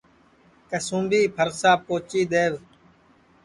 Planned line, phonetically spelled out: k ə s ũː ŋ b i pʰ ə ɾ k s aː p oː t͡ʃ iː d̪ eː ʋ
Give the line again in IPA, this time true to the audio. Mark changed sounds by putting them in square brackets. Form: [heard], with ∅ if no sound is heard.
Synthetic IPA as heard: k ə s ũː [m] b [iː] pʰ ə ɾ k s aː p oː t͡ʃ iː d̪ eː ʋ